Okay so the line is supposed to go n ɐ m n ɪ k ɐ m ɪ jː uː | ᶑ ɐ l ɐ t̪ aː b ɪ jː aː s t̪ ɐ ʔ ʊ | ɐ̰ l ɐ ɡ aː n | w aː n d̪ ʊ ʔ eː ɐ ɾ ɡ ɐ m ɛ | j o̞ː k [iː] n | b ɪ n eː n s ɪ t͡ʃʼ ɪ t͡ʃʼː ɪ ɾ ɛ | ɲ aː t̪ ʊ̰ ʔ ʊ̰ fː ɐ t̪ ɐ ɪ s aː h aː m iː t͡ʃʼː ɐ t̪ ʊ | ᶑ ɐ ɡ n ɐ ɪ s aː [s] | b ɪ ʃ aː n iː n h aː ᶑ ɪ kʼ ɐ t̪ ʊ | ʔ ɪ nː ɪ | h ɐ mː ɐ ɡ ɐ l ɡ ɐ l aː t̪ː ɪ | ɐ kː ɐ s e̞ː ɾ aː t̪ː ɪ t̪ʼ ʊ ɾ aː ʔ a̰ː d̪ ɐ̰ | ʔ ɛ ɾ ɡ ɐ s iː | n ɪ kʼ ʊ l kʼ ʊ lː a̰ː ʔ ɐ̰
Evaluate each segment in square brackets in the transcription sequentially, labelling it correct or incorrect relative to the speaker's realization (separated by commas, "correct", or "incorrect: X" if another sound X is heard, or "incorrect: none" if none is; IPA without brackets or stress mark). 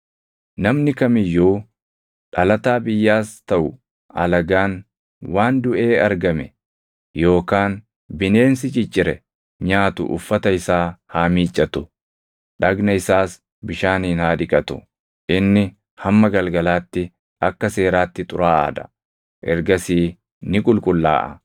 incorrect: aː, correct